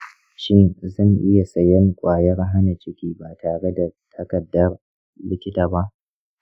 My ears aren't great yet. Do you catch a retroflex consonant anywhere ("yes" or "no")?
yes